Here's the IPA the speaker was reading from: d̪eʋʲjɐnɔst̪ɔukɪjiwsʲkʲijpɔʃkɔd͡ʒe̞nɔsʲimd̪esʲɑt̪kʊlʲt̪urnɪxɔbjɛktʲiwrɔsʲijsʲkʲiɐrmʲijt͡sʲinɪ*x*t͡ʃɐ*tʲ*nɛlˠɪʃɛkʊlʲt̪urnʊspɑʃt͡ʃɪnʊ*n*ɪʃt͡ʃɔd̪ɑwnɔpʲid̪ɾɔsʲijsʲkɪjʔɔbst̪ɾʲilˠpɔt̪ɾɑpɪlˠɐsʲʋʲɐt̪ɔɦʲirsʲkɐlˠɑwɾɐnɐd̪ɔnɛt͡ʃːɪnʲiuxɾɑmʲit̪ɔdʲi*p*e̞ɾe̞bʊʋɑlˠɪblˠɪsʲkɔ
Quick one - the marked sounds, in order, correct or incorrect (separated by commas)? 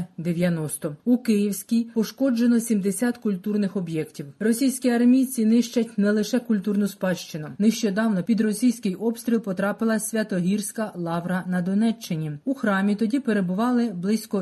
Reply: incorrect, correct, correct, correct